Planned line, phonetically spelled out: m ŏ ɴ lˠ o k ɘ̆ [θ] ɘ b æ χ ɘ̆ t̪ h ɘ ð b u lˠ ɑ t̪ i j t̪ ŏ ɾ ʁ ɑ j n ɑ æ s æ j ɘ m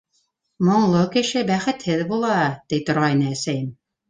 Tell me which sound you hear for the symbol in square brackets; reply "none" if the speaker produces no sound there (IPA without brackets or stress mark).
ʃ